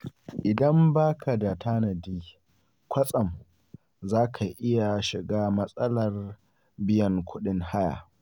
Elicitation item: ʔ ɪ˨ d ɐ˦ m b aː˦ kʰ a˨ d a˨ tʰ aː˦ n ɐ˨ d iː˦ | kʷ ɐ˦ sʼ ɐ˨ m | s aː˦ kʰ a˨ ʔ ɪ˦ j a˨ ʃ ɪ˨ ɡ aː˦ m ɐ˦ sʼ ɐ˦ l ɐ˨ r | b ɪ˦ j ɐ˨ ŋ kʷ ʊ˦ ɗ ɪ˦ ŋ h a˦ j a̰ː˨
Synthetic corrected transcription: ʔ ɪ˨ d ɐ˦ m b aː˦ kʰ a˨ d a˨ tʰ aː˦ n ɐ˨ d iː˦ | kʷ ɐ˦ sʼ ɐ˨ m | z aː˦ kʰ a˨ ʔ ɪ˦ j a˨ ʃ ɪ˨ ɡ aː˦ m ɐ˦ sʼ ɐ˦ l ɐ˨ r | b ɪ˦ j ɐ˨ ŋ kʷ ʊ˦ ɗ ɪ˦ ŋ h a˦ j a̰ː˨